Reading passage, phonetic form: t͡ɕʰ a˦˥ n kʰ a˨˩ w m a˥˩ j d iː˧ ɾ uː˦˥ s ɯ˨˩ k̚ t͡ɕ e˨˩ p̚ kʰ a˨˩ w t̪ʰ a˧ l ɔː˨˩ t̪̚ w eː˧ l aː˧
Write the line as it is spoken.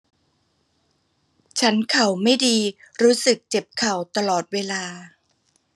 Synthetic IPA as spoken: t͡ɕʰ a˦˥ n kʰ a˨˩ w m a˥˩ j d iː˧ ɾ uː˦˥ s ɯ˨˩ k̚ t͡ɕ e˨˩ p̚ kʰ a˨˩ w t̪ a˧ l ɔː˨˩ t̪̚ w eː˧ l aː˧